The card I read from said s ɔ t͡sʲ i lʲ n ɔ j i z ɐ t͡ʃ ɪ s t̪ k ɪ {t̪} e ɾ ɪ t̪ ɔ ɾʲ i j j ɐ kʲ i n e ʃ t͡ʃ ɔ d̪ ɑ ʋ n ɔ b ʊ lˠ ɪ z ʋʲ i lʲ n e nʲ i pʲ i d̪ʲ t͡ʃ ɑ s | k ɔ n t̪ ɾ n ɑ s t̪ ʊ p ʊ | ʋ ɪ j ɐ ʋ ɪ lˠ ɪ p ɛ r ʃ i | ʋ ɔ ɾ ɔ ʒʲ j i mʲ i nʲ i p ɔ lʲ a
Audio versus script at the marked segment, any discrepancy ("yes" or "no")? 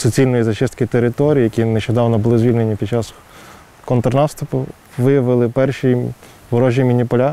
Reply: no